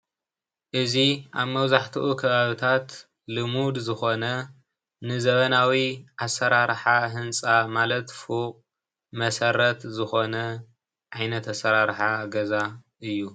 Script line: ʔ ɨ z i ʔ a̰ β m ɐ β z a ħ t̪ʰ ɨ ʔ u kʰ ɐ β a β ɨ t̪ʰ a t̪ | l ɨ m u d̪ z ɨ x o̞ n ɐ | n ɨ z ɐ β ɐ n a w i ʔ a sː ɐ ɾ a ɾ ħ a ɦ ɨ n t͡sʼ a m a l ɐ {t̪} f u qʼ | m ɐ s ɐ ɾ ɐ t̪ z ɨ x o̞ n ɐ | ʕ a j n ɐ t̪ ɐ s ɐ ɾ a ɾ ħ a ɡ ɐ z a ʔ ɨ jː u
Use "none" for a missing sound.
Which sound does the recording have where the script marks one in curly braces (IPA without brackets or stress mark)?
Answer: t̪